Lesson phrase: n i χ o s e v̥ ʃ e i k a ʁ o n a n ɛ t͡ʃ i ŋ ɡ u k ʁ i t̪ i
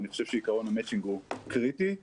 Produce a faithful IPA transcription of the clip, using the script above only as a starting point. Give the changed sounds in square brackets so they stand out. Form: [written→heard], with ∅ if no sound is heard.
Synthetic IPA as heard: n i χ o [s→ʃ] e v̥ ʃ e i k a ʁ o n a [n→m] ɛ t͡ʃ i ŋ ɡ u k ʁ i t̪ i